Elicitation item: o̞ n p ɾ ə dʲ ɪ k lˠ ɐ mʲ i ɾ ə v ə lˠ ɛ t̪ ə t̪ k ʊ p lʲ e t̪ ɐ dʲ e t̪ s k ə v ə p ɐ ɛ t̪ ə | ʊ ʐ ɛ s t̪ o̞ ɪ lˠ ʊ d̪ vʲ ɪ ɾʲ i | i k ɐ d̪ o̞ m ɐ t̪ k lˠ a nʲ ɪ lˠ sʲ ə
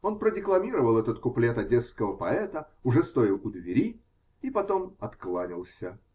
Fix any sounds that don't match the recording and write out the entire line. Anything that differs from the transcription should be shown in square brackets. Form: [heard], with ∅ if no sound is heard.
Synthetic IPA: o̞ n p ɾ ə dʲ ɪ k lˠ ɐ mʲ i ɾ ə v ə lˠ ɛ t̪ ə t̪ k ʊ p lʲ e t̪ ɐ dʲ e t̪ s k ə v ə p ɐ ɛ t̪ ə | ʊ ʐ ɛ s t̪ o̞ ɪ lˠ ʊ d̪ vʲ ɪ ɾʲ i | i [p] ɐ [t̪] o̞ m ɐ t̪ k lˠ a nʲ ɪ lˠ sʲ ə

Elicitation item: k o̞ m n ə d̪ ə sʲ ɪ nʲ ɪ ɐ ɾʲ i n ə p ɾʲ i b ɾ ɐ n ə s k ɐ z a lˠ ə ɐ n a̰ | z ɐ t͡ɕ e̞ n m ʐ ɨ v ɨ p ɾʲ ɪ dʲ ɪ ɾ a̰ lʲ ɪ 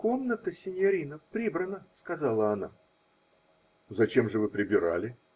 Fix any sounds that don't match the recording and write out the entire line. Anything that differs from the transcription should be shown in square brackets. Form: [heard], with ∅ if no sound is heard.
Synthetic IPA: k o̞ m n ə [t̪] ə sʲ ɪ nʲ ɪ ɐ ɾʲ i n ə p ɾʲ i b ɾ [ə] n ə s k ɐ z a lˠ ə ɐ n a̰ | z ɐ t͡ɕ e̞ [∅] m ʐ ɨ v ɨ p ɾʲ ɪ [bʲ] ɪ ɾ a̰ lʲ ɪ

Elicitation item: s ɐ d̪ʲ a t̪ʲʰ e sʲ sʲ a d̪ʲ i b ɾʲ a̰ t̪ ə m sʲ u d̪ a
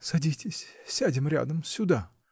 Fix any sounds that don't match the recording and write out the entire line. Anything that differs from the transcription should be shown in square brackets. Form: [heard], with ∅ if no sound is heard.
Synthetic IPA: s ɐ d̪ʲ [i] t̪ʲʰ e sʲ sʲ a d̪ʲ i [m] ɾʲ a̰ [d̪] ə m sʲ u d̪ a

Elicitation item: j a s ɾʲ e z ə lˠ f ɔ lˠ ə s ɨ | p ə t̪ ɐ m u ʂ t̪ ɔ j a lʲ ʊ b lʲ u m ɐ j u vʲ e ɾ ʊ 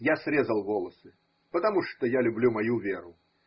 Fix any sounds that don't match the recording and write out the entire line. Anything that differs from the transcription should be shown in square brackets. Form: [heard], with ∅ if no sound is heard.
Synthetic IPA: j a s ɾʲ e z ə lˠ [v] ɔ lˠ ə s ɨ | p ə t̪ ɐ m u ʂ t̪ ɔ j a lʲ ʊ b lʲ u m ɐ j u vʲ e ɾ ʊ

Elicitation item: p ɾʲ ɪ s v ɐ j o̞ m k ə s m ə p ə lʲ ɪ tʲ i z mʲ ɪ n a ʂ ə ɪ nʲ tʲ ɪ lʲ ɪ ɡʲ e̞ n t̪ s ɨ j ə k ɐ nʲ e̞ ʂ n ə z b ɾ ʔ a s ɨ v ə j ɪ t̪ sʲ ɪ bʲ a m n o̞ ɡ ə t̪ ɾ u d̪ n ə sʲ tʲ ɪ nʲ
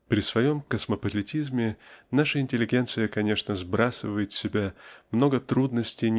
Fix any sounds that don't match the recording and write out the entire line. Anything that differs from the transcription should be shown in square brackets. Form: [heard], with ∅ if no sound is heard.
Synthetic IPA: p ɾʲ ɪ s v ɐ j o̞ m k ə s m ə p ə lʲ ɪ tʲ i z mʲ ɪ n a ʂ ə ɪ nʲ tʲ ɪ lʲ ɪ ɡʲ e̞ n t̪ s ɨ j ə k ɐ nʲ e̞ ʂ n ə z b ɾ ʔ a s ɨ v ə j ɪ t̪ sʲ ɪ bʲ a m n o̞ ɡ ə t̪ ɾ u d̪ n ə sʲ tʲ ɪ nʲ

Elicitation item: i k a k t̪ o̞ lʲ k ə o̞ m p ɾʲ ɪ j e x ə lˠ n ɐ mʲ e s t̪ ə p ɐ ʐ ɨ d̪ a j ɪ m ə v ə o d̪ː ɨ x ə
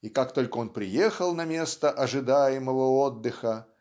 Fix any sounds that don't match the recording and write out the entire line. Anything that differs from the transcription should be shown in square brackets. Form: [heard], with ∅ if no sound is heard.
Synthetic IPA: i k a k t̪ o̞ lʲ k ə o̞ [n] p ɾʲ ɪ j e x ə lˠ n ɐ mʲ e s t̪ ə [ʔ] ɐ ʐ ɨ d̪ a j ɪ m ə v ə o d̪ː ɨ x ə

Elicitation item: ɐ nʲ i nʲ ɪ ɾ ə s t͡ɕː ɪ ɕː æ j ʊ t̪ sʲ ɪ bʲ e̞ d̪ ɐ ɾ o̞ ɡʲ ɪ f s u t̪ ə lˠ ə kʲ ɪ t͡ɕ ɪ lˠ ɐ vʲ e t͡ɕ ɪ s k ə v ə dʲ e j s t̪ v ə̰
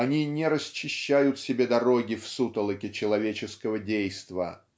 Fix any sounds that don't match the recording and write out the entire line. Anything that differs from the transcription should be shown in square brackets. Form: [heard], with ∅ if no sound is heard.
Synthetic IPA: ɐ nʲ i nʲ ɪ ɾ ə s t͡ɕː ɪ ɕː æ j ʊ t̪ sʲ ɪ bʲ e̞ d̪ ɐ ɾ o̞ ɡʲ ɪ f s u t̪ ə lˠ ə kʲ ɪ t͡ɕ ɪ lˠ ɐ vʲ e t͡ɕ ɪ s k ə v ə dʲ e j s t̪ v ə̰

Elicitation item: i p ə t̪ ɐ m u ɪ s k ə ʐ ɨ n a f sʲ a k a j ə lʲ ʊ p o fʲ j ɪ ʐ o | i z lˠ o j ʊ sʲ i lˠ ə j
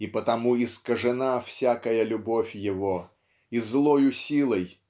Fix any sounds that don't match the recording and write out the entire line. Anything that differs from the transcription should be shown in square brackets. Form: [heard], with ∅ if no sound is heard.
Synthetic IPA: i p ə t̪ ɐ m u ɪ s k ə ʐ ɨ n a f sʲ a k [ə] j ə lʲ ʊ [b] o fʲ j ɪ [v] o | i z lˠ o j ʊ sʲ i lˠ ə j

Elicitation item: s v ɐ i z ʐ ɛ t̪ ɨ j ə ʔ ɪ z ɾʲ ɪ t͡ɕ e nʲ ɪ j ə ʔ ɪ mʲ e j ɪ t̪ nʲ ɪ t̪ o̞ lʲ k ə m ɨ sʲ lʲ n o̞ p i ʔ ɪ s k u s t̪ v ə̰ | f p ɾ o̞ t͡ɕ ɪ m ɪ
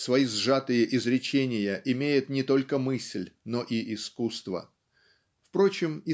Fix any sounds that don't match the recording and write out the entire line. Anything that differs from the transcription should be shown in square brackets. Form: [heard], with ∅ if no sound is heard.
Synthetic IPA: s v ɐ i z ʐ [a] t̪ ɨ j ə ʔ ɪ z ɾʲ ɪ t͡ɕ e nʲ ɪ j ə ʔ ɪ mʲ e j ɪ t̪ nʲ ɪ t̪ o̞ lʲ k ə m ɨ sʲ lʲ n o̞ [ʔ] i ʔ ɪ s k u s t̪ v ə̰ | f p ɾ o̞ t͡ɕ ɪ m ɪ

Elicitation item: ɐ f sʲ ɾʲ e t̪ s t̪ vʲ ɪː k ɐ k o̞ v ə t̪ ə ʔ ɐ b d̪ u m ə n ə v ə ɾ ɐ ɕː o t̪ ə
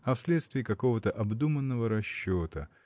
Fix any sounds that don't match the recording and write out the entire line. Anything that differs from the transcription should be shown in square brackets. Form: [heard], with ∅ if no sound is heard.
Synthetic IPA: ɐ f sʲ [lʲ] e t̪ s t̪ vʲ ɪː k ɐ k o̞ v ə t̪ ə ʔ ɐ b d̪ u m ə [nː] ə v ə ɾ ɐ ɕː o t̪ ə

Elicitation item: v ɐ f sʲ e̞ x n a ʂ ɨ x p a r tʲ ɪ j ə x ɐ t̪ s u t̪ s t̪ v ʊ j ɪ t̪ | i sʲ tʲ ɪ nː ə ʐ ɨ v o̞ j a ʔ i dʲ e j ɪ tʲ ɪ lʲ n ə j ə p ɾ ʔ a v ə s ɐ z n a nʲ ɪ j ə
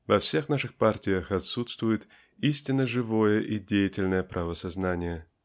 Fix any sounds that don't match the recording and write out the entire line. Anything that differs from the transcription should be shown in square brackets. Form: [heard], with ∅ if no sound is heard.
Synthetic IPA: v ɐ f sʲ e̞ x n a ʂ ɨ x p a r tʲ ɪ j ə x ɐ t̪ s u t̪ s t̪ v ʊ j ɪ t̪ | i sʲ tʲ ɪ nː ə ʐ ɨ v o̞ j [ə] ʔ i dʲ e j ɪ tʲ ɪ lʲ n ə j ə p ɾ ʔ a v ə s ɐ z n a nʲ ɪ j ə

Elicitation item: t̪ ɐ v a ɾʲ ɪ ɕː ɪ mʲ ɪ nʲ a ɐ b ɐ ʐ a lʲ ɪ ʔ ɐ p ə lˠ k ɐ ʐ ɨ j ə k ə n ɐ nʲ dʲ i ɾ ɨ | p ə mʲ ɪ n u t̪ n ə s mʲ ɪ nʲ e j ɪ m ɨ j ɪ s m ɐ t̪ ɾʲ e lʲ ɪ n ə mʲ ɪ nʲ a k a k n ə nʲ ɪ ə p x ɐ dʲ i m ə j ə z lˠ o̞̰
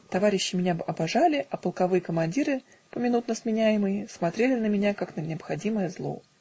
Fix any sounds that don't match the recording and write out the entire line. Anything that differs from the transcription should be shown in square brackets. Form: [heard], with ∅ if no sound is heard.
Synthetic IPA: t̪ ɐ v a ɾʲ ɪ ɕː ɪ mʲ ɪ nʲ a ɐ b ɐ ʐ a lʲ ɪ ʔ ɐ p ə lˠ k ɐ [v] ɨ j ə k ə [m] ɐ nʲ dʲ i ɾ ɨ | p ə mʲ ɪ n u t̪ n ə s mʲ ɪ nʲ [æ] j ɪ m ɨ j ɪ s m ɐ t̪ ɾʲ e lʲ ɪ n ə mʲ ɪ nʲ a k a k n ə nʲ ɪ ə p x ɐ dʲ i m ə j ə z lˠ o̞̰

